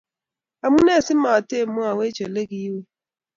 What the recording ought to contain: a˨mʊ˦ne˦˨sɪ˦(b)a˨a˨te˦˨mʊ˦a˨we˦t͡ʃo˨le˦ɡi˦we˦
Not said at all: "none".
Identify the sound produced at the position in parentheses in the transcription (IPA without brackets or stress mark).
m